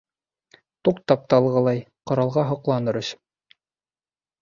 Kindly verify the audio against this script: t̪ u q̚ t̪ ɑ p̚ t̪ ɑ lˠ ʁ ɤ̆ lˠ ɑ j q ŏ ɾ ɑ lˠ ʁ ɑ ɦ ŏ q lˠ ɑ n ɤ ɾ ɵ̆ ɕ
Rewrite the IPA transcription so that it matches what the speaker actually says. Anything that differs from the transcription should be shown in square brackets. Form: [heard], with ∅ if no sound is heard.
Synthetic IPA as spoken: t̪ u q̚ t̪ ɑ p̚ t̪ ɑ lˠ ʁ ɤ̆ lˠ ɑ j q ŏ ɾ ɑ lˠ ʁ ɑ ɦ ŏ q lˠ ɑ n ɤ ɾ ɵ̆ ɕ